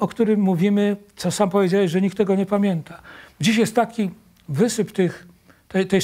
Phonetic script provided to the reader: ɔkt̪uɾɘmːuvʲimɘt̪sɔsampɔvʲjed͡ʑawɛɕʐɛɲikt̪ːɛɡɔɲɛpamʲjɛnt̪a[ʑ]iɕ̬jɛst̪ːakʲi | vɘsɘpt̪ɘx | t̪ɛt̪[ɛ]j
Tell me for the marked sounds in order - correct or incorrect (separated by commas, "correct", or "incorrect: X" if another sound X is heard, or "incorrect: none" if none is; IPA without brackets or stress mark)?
incorrect: d͡ʑ, correct